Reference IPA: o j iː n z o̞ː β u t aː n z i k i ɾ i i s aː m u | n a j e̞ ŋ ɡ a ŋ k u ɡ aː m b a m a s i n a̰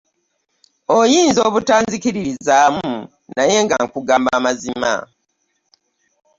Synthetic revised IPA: o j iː n z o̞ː β u t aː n z i k i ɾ i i z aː m u | n a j e̞ ŋ ɡ a ŋ k u ɡ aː m b a m a z i m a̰